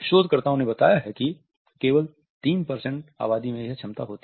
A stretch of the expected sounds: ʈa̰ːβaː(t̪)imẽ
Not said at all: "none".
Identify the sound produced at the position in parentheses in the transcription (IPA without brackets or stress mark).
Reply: d̪